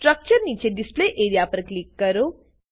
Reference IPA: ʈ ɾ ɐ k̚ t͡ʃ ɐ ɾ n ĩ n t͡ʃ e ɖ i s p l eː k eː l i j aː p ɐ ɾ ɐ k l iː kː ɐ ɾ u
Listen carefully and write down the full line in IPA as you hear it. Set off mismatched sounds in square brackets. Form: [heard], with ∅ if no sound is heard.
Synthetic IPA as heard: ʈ ɾ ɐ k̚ t͡ʃ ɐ ɾ n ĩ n t͡ʃ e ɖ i s p l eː [ʔ] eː [ɾ] i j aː p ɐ ɾ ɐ k l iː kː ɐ ɾ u